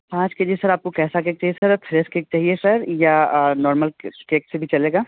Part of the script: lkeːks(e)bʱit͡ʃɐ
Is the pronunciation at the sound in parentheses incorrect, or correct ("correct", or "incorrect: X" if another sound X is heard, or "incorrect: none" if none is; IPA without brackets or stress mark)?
correct